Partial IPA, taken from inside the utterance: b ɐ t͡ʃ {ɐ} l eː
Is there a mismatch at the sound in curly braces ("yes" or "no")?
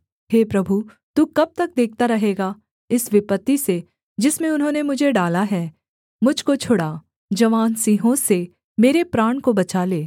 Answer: yes